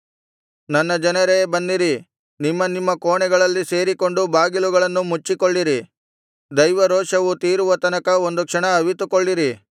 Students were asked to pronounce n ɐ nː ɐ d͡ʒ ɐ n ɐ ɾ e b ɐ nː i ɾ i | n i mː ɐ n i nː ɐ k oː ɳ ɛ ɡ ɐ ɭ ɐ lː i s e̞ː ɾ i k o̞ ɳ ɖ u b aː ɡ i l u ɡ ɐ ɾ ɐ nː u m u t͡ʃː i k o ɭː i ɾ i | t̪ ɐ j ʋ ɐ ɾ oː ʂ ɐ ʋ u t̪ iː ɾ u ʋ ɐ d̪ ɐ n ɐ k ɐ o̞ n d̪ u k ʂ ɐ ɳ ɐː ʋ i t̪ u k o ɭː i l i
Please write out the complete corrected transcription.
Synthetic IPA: n ɐ nː ɐ d͡ʒ ɐ n ɐ ɾ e b ɐ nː i ɾ i | n i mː ɐ n i mː ɐ k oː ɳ ɛ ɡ ɐ ɭ ɐ lː i s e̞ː ɾ i k o̞ ɳ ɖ u b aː ɡ i l u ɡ ɐ ɭ ɐ nː u m u t͡ʃː i k o ɭː i ɾ i | d̪ ɐ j ʋ ɐ ɾ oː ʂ ɐ ʋ u t̪ iː ɾ u ʋ ɐ t̪ ɐ n ɐ k ɐ o̞ n d̪ u k ʂ ɐ ɳ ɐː ʋ i t̪ u k o ɭː i ɾ i